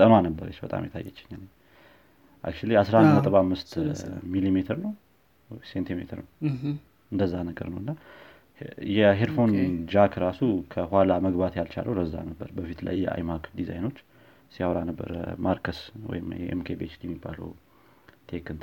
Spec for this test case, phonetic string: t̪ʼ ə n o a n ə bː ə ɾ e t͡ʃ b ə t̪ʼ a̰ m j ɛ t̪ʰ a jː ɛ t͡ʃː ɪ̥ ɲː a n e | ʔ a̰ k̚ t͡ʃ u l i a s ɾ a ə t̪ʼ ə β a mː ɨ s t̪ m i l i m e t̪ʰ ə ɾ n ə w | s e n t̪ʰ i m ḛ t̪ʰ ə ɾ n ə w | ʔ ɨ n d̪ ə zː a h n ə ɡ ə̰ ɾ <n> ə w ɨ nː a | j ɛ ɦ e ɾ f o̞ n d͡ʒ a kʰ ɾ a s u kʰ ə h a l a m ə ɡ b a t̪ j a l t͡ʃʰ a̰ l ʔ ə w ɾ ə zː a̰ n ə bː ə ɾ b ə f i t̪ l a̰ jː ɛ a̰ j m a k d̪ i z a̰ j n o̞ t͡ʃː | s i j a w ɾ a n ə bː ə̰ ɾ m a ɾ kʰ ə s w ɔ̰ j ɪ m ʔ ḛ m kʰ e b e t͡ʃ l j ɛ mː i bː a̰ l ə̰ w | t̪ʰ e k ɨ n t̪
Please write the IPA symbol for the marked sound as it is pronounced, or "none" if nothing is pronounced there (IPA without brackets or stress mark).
n